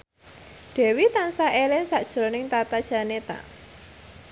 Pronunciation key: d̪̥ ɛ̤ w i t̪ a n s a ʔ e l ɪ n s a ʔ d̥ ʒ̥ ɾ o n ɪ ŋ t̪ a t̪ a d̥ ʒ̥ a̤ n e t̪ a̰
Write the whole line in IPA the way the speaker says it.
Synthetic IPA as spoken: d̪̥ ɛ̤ w i t̪ a n s a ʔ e l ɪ n s a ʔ d̥ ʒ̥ ɾ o n ɪ ŋ t̪ a t̪ a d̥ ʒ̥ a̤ n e t̪ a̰